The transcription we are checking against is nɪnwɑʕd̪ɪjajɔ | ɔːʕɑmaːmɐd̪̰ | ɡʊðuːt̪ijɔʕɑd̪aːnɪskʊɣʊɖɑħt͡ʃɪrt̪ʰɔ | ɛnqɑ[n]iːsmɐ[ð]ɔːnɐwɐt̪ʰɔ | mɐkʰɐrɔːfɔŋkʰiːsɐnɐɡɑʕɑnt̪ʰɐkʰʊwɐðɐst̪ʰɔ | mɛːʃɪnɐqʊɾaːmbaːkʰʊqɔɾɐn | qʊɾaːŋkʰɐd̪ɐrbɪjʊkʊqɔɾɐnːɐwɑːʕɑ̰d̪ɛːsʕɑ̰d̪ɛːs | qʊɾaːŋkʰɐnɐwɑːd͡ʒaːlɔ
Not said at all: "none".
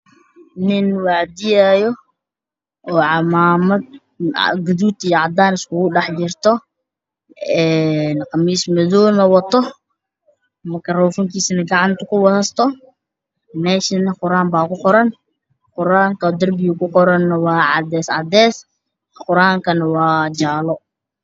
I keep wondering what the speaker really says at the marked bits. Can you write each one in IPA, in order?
m, ð

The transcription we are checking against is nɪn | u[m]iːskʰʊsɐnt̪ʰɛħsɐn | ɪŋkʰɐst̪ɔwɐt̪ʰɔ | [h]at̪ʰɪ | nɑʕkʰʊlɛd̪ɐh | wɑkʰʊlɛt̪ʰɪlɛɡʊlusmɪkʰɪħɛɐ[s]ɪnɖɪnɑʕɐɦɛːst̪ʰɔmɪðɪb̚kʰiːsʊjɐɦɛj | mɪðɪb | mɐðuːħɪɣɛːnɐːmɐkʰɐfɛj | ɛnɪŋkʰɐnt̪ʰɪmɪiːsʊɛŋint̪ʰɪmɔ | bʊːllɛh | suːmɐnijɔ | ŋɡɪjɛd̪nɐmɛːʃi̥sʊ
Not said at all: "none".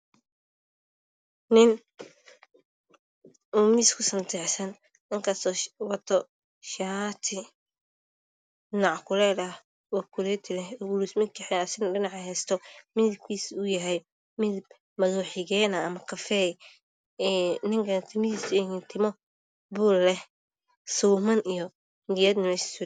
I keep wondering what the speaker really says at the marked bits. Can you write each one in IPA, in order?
m, ʃ, s

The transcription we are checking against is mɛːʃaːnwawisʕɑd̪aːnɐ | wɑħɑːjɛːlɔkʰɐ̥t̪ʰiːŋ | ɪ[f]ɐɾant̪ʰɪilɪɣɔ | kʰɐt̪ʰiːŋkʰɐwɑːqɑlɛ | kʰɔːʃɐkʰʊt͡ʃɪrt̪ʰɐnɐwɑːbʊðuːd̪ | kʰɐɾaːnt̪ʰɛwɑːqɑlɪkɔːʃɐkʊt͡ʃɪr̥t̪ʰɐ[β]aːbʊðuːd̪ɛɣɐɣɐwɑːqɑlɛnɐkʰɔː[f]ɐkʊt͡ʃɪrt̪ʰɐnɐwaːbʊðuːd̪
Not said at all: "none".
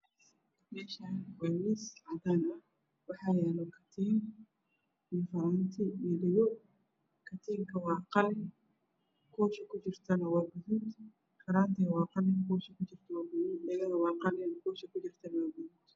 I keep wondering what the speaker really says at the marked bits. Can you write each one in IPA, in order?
f, w, ʃ

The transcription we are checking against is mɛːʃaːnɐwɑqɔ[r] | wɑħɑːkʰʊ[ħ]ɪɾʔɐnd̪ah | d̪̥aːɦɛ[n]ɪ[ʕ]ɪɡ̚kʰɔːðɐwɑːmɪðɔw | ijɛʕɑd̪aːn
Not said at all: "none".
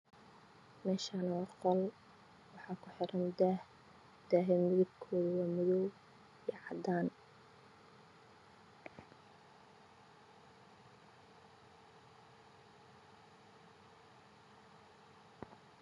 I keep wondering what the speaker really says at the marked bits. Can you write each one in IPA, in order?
l, ħ, m, ð

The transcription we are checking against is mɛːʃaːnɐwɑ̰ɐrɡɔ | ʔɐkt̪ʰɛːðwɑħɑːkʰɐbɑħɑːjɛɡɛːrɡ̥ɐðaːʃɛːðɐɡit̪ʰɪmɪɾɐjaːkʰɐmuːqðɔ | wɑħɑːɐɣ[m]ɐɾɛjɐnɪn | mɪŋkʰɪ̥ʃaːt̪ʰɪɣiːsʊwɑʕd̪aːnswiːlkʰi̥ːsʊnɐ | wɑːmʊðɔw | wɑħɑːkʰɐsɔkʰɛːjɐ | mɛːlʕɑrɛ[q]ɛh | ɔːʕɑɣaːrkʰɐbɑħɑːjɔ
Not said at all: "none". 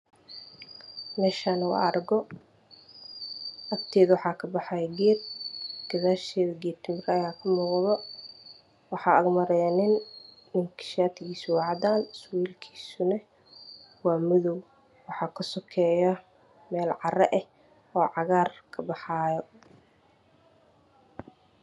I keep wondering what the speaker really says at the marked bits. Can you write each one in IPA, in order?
m, ʔ

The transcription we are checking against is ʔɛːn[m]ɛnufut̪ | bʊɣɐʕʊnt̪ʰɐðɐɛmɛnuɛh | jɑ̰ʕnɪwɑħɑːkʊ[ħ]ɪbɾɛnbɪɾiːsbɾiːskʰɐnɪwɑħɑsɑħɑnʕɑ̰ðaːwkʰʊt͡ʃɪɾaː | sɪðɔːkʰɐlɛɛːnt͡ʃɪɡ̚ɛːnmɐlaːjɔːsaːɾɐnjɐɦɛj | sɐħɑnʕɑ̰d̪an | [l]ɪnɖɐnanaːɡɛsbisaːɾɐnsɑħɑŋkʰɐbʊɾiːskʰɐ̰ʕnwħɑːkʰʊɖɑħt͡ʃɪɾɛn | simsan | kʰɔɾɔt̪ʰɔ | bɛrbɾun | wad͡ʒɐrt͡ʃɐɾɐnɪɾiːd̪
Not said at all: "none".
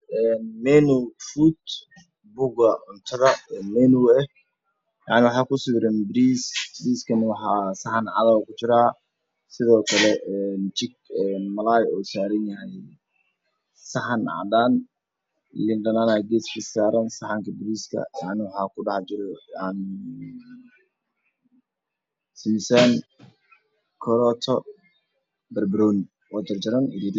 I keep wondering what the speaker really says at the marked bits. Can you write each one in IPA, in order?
m, s, l

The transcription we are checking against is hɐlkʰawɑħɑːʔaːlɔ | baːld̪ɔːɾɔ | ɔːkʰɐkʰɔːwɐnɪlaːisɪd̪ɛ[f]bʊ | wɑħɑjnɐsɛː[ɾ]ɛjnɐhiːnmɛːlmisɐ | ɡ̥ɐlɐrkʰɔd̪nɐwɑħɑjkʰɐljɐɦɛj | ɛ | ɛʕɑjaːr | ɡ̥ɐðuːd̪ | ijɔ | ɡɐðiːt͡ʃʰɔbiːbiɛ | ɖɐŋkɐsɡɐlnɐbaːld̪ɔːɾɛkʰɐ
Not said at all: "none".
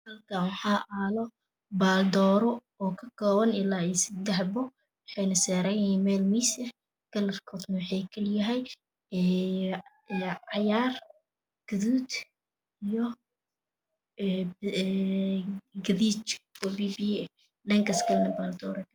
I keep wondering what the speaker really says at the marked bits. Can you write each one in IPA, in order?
ħ, ɾ

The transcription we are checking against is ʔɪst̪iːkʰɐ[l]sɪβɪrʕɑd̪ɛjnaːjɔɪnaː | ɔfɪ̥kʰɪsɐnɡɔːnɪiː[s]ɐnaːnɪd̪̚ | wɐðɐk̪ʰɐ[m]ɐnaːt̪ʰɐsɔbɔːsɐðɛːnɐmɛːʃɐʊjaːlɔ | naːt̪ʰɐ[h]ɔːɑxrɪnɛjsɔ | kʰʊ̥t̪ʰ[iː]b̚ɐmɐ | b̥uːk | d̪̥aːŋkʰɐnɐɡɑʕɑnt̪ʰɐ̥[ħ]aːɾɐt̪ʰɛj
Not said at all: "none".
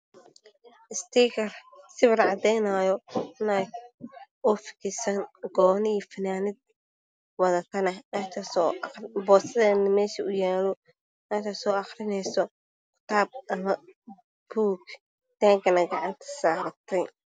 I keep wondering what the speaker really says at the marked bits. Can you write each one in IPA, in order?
r, f, n, s, aː, s

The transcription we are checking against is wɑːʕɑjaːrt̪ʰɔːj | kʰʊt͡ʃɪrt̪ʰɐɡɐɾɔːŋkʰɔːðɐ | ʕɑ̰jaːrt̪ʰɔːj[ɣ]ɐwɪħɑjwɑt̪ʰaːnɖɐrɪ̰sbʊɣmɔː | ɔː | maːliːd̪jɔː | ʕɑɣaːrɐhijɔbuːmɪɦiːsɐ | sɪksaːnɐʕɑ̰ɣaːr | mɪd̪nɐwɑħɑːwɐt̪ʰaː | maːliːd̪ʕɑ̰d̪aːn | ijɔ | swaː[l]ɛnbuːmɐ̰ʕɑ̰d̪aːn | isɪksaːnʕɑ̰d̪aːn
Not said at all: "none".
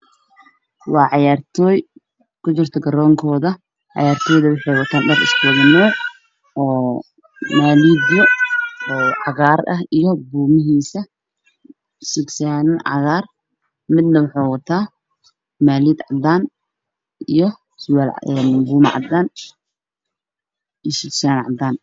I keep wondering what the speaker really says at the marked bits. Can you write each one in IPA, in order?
ð, l

